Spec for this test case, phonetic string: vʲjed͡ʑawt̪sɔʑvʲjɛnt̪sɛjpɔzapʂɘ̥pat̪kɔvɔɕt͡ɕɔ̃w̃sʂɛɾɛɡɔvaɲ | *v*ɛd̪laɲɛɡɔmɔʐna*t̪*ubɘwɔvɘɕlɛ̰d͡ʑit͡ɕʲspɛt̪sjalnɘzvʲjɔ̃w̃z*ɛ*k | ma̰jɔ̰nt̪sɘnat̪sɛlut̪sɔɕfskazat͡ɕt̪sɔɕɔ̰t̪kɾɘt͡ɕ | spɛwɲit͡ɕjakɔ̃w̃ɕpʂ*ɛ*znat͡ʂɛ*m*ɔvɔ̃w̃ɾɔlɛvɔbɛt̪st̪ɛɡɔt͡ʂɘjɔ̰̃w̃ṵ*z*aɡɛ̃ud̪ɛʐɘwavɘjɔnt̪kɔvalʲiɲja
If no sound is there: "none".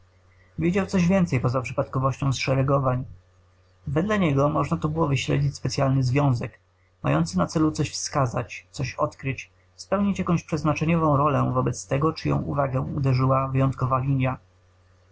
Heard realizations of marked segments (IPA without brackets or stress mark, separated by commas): v, t̪, ɛ, ɛ, ɲ, v